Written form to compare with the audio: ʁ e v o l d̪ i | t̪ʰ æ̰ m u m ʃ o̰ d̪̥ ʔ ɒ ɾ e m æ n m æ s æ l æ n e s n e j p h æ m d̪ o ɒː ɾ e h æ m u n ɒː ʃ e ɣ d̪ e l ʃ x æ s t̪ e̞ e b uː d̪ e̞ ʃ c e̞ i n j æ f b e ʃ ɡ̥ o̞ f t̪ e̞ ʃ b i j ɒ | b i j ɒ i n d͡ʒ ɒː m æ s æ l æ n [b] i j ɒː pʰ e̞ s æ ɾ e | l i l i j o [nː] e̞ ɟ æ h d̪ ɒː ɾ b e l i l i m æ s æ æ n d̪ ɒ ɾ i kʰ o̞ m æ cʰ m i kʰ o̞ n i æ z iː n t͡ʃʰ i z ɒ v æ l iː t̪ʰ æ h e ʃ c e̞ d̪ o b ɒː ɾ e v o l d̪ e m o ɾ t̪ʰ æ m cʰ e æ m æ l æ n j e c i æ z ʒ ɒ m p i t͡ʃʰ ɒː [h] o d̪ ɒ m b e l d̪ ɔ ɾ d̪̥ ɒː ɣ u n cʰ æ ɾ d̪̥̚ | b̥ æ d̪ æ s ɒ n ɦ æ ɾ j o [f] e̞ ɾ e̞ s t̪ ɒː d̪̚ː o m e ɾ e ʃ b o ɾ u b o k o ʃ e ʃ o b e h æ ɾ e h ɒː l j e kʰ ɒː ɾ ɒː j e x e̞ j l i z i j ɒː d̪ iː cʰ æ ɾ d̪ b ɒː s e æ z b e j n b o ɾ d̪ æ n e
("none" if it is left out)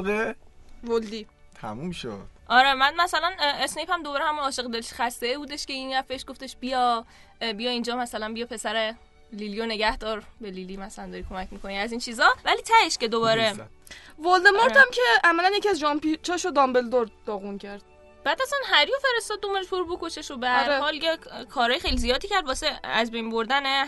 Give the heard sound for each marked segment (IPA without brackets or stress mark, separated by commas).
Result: b, n, ʃ, f